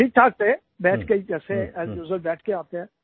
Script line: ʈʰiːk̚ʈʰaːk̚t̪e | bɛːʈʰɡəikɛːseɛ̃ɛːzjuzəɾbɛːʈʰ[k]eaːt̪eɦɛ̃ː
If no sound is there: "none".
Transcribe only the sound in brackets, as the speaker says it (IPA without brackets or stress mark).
k